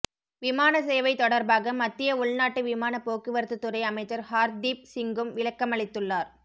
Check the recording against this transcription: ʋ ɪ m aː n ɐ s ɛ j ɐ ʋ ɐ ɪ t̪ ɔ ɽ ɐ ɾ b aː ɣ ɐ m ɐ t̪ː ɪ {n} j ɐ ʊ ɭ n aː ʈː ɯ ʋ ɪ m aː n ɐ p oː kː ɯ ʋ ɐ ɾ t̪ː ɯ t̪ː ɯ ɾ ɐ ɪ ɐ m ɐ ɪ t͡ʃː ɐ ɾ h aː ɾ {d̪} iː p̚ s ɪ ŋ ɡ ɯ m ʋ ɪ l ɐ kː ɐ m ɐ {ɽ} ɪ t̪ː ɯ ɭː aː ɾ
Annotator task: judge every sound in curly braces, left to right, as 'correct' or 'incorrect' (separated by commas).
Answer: incorrect, correct, incorrect